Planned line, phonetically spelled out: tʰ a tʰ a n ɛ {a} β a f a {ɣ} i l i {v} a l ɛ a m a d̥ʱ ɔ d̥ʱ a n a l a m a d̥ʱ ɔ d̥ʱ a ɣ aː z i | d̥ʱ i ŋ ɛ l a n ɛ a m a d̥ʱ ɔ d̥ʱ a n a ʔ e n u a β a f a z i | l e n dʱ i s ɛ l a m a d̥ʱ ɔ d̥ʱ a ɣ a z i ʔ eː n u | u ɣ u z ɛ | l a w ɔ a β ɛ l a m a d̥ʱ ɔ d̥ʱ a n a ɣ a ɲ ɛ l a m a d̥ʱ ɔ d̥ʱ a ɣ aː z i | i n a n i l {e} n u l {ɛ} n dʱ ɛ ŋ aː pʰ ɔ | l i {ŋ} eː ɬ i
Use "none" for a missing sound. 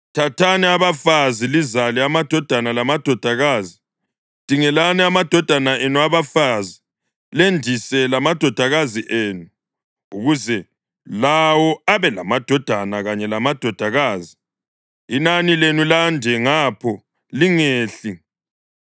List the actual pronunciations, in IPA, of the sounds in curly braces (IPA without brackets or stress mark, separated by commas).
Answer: a, z, z, e, a, ŋ